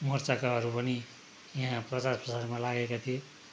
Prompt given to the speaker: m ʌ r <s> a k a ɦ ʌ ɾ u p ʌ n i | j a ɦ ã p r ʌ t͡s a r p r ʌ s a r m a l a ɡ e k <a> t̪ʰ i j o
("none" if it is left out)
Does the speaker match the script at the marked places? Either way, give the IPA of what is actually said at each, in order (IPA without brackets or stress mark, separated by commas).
t͡s, a